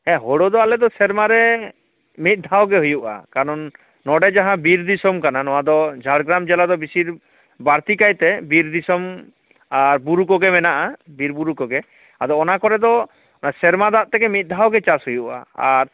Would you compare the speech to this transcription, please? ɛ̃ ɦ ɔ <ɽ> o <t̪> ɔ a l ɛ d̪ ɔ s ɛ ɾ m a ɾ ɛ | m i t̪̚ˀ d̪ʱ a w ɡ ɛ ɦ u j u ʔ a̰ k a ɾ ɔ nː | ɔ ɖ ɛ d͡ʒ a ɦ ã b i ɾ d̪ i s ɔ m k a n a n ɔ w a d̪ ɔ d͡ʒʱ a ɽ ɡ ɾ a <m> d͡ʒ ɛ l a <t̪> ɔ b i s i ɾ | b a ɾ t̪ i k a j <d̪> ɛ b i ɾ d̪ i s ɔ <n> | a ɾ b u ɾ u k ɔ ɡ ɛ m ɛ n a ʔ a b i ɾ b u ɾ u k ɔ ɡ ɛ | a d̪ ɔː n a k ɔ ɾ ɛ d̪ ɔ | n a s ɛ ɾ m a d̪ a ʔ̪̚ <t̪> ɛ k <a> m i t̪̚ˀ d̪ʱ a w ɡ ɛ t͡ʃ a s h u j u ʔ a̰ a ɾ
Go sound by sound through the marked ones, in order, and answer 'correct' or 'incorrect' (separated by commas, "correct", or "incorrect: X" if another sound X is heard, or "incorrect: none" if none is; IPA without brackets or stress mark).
correct, incorrect: d̪, correct, incorrect: d̪, incorrect: t̪, incorrect: m, correct, incorrect: ɛ